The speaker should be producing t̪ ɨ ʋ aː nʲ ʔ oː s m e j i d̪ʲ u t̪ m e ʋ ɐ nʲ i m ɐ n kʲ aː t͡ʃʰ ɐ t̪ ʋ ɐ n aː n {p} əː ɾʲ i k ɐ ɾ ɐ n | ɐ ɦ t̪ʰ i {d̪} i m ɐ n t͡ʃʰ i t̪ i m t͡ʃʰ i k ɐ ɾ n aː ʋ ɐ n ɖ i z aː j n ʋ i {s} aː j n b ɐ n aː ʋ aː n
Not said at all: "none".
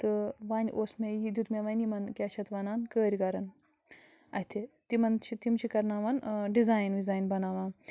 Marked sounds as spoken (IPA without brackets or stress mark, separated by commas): k, t̪, z